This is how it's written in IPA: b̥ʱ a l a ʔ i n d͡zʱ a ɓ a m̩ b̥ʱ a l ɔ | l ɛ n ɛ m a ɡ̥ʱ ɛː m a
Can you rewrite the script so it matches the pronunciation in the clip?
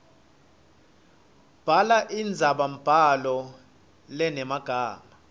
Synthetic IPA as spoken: b̥ʱ a l a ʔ i n d͡zʱ a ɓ a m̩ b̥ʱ a l ɔ | l ɛ n ɛ m a ɡ̥ʱ aː m a

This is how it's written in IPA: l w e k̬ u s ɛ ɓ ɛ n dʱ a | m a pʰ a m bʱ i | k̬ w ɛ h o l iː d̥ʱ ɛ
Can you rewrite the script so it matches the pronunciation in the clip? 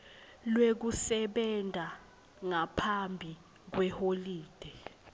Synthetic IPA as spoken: l w e k̬ u s ɛ ɓ ɛ n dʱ a | ŋ a pʰ a m bʱ i | k̬ w ɛ h o l iː d̥ʱ ɛ

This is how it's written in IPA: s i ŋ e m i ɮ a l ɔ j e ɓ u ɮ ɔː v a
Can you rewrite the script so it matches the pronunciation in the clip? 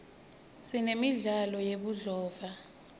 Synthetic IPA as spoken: s i n e m i ɮ a l ɔ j e ɓ u ɮ ɔː v a

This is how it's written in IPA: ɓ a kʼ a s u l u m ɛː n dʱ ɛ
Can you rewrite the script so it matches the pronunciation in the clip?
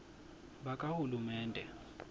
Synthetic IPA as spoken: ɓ a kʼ a h u l u m ɛː n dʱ ɛ

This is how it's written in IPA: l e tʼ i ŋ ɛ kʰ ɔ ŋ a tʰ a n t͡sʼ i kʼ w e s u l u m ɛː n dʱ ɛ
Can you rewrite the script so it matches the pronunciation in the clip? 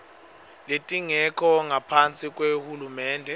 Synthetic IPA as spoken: l e tʼ i ŋ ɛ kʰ ɔ ŋ a pʰ a n t͡sʼ i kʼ w e h u l u m ɛː n dʱ ɛ

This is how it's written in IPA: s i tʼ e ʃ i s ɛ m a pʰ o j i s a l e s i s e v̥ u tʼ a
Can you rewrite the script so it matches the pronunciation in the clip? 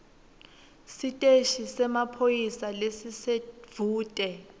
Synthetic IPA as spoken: s i tʼ e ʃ i s ɛ m a pʰ o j i s a l e s i s e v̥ uː tʼ ɛ

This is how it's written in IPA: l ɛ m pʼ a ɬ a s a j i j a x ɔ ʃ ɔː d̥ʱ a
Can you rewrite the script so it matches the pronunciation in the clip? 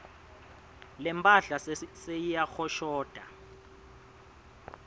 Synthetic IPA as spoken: l ɛ m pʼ a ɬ a s e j i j a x ɔ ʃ ɔː d̥ʱ a

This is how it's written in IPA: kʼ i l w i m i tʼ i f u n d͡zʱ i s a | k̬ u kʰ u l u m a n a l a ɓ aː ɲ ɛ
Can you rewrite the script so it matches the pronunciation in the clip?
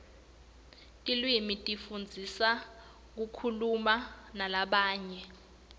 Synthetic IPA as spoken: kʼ i l w i m i tʼ i f u n d͡zʱ i s a | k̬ u kʰ u l u m a n a l a ɓ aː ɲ ɛ

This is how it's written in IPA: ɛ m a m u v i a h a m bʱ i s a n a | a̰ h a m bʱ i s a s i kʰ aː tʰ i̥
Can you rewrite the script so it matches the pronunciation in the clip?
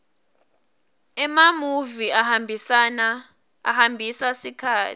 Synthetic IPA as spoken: ɛ m a m u v i a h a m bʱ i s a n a | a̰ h a m bʱ i s a s i kʰ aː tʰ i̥

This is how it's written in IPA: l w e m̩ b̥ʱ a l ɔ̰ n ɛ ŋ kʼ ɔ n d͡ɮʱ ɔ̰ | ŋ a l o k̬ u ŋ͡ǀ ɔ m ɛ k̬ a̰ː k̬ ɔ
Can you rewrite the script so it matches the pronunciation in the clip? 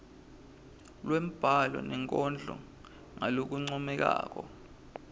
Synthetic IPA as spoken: l w e m̩ b̥ʱ a l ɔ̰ n ɛ ŋ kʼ ɔ n d͡ɮʱ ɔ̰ | ŋ a l o k̬ u ŋ͡ǀ ɔ m ɛ k̬ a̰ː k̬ ɔ

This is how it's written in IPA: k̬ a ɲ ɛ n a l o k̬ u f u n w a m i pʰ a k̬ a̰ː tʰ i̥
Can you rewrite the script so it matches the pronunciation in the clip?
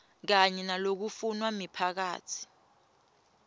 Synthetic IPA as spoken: k̬ a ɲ ɛ n a l o k̬ u f u n w a m i pʰ a k̬ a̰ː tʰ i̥

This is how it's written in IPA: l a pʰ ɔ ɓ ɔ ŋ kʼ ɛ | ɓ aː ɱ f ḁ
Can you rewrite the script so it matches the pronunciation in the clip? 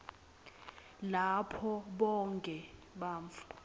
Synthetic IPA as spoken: l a pʰ ɔ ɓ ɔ ŋ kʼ ɛ | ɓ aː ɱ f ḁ

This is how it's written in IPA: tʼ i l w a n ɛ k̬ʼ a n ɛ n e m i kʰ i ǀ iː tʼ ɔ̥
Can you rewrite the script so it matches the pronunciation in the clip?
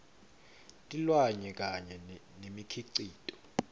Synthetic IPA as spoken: tʼ i l w a ɲ ɛ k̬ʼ a ɲ ɛ n e m i kʰ i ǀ iː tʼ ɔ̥

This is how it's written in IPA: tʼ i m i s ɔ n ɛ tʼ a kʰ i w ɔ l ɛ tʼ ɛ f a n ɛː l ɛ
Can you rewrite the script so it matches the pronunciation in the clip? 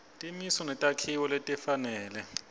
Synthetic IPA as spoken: tʼ i m i s ɔ n ɛ tʼ a kʰ i w ɔ l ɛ tʼ ɛ f a n ɛː l ɛ

